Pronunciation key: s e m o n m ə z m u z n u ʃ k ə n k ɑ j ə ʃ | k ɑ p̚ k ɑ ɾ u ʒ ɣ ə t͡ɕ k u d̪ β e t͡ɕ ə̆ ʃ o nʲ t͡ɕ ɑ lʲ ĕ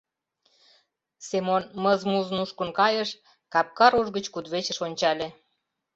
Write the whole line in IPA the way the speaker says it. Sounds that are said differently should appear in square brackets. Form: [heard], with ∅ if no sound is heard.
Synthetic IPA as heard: s e m o n m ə z m u z n u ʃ k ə n k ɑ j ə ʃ | k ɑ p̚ k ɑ ɾ u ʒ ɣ ə t͡ɕ k u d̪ β e t͡ɕ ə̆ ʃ o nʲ t͡ɕ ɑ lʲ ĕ